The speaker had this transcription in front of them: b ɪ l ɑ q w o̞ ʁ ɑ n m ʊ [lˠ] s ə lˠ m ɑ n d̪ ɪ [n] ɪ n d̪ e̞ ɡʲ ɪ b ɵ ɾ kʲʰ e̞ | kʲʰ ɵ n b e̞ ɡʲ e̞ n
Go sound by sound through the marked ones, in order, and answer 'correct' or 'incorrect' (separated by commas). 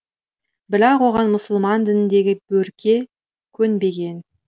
incorrect, correct